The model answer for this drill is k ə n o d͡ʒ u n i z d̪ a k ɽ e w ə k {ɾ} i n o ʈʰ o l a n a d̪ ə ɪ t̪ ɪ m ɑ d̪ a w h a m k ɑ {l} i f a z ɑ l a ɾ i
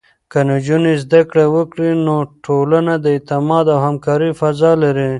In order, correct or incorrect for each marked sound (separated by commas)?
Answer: incorrect, incorrect